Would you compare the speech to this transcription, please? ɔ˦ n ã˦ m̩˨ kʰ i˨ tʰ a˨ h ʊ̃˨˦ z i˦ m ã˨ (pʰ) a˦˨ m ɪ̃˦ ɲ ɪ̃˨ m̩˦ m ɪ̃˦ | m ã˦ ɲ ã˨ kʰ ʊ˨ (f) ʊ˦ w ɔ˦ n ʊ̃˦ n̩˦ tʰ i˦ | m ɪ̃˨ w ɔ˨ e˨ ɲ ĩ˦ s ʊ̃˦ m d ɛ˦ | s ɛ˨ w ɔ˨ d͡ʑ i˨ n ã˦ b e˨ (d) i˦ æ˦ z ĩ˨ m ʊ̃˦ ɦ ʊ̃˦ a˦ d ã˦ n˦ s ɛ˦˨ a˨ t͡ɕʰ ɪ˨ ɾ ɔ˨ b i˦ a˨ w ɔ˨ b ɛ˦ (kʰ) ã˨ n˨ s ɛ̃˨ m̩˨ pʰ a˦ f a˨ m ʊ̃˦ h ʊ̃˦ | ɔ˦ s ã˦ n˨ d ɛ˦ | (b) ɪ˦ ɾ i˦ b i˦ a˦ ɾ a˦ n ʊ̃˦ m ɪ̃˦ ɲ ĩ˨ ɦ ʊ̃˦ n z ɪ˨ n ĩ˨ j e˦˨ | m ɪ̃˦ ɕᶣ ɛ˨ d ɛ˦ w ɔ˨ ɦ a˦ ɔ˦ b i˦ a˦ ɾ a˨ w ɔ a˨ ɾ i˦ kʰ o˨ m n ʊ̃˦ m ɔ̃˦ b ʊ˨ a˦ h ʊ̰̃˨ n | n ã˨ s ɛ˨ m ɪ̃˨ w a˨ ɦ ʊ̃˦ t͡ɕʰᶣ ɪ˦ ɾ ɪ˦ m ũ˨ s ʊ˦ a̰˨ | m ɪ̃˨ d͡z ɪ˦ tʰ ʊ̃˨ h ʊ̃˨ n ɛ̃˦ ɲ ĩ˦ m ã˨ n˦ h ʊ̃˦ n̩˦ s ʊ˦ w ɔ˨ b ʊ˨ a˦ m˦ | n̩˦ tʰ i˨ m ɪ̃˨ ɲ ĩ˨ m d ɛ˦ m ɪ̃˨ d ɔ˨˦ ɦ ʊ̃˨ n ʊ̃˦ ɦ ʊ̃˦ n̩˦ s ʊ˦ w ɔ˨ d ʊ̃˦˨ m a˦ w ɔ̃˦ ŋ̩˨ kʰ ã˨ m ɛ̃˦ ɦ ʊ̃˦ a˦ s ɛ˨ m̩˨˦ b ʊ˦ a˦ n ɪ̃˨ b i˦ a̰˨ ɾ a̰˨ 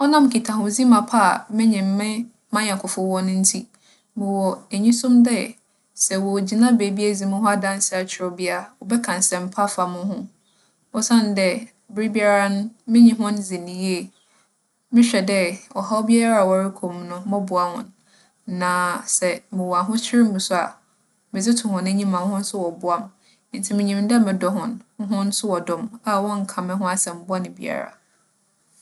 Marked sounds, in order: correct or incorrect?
correct, correct, incorrect, correct, correct

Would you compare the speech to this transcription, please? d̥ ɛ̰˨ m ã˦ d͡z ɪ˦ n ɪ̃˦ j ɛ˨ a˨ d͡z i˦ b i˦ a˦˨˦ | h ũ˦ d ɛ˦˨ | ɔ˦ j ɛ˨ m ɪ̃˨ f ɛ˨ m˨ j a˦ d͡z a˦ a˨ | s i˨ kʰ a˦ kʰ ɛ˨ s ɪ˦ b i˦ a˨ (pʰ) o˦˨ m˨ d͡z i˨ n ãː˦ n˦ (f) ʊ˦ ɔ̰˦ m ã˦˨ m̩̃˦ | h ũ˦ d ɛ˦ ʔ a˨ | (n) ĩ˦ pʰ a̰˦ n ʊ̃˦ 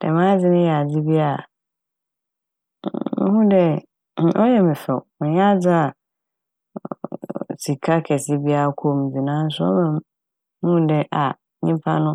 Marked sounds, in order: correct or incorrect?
incorrect, incorrect, incorrect

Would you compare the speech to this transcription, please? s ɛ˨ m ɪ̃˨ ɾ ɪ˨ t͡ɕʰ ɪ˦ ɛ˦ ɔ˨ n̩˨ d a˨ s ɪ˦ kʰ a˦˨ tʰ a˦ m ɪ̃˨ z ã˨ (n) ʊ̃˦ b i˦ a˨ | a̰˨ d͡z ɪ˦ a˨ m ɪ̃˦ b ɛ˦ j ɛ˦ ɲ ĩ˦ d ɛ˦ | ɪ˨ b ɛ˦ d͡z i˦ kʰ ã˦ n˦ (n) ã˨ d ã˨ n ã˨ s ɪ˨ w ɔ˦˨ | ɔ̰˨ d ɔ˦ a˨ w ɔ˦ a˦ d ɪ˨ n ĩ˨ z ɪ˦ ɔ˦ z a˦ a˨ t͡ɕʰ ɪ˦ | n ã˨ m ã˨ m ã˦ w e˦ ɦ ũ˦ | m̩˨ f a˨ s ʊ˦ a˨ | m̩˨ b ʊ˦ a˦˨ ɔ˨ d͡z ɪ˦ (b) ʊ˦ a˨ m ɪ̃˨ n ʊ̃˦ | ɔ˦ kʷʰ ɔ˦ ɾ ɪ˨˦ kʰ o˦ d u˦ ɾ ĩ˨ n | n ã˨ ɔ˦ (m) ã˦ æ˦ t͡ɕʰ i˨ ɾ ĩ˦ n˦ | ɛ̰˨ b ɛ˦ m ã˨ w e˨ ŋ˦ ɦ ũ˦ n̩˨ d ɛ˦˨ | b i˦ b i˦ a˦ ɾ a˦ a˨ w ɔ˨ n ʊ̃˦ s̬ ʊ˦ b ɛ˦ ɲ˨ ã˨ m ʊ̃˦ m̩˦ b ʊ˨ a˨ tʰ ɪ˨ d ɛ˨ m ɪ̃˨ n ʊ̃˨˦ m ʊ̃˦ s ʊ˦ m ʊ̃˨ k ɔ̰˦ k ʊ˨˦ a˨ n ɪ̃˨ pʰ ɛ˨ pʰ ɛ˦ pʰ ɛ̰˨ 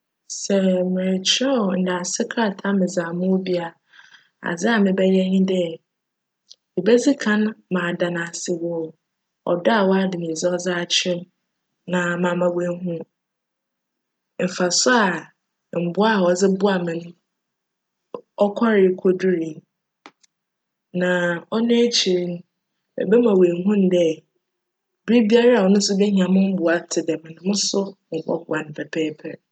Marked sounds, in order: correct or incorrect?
incorrect, incorrect, correct, incorrect

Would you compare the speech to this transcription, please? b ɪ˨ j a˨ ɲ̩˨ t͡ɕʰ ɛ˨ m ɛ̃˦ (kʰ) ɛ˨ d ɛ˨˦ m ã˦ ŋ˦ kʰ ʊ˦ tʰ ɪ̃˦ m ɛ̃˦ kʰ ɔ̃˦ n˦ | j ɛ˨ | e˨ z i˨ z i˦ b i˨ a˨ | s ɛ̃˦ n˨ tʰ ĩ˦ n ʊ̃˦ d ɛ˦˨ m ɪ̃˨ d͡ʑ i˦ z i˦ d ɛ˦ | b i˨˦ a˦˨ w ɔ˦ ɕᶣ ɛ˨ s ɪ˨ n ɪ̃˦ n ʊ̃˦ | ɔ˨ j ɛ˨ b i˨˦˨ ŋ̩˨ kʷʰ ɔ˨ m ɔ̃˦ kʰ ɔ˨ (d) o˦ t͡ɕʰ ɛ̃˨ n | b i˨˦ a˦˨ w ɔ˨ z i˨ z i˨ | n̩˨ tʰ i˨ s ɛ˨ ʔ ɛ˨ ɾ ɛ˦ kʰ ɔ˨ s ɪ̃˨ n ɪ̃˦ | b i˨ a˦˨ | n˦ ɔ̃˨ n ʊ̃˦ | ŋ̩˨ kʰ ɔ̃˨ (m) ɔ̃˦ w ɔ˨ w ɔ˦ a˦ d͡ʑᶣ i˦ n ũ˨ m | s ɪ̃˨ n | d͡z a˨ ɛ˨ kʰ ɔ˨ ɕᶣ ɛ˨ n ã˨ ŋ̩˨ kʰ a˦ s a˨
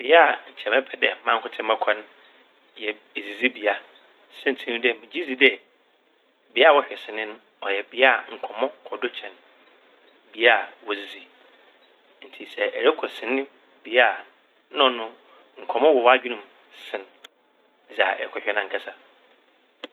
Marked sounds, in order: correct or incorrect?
incorrect, correct, correct

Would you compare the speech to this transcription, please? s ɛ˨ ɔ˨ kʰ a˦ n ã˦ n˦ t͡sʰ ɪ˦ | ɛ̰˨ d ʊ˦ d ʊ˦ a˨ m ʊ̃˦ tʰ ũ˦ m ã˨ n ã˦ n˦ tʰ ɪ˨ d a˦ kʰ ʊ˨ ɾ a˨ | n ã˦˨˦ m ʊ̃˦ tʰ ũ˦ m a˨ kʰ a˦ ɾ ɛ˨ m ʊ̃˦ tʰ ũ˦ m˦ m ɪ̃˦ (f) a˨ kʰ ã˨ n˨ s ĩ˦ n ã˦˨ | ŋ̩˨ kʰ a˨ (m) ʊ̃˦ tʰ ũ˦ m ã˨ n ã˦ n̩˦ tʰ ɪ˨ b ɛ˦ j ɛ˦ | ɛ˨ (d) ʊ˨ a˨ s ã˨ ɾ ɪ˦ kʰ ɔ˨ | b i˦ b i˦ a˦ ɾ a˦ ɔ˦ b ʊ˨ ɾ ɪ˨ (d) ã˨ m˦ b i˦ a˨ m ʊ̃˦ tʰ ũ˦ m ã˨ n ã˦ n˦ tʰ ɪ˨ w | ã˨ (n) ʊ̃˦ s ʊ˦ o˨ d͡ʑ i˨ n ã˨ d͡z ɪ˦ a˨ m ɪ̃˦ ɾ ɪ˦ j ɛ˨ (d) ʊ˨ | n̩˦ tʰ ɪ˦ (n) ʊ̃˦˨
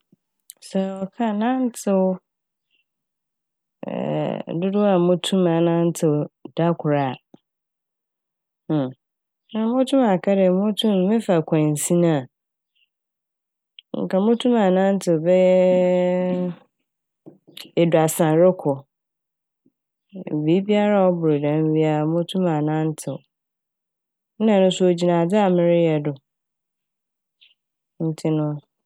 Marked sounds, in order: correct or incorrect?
correct, correct, correct, correct, correct, correct, correct

